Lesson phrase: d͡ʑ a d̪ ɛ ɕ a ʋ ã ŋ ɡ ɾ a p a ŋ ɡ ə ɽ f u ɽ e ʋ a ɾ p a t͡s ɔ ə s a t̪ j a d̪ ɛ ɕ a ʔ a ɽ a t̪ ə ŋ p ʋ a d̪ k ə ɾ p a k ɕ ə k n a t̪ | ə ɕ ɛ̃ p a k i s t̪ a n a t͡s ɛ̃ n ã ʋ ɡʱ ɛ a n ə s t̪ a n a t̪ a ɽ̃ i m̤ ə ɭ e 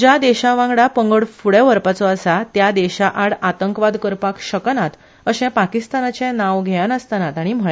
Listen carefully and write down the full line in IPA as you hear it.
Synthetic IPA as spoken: d͡ʑ a d̪ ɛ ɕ a ʋ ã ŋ ɡ ɽ a p ə ŋ ɡ ə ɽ f u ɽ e ʋ ə ɾ p a t͡s ɔ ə s a t̪ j a d̪ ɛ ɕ a ʔ a ɽ a t̪ ə ŋ k ʋ a d̪ k ə ɾ p a k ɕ ə k n a t̪ | ə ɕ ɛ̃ p a k i s t̪ a n a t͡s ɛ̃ n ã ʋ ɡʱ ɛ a n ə s t̪ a n a t̪ a ɽ̃ i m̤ ə ɭ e